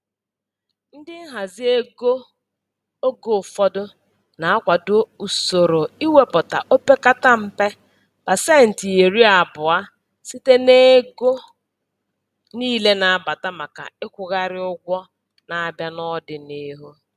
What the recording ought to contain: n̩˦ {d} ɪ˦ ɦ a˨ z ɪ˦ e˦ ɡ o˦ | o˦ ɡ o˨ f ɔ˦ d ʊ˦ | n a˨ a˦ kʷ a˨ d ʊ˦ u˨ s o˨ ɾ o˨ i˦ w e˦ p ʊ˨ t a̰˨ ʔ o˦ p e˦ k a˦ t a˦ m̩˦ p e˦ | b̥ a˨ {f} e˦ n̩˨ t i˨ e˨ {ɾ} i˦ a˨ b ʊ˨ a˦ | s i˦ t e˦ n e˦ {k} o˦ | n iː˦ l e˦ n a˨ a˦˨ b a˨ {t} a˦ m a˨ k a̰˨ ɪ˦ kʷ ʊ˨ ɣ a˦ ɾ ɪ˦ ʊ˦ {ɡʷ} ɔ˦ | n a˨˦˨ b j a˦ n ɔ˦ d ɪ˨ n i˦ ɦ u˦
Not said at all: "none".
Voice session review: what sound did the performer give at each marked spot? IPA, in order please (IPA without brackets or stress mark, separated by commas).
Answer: d, s, ɾ, ɡ, t, ɡʷ